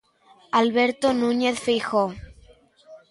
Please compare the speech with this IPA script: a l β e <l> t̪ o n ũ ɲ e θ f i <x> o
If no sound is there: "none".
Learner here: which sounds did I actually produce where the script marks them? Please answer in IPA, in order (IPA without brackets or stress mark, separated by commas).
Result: ɾ, x